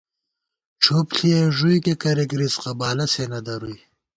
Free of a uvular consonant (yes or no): no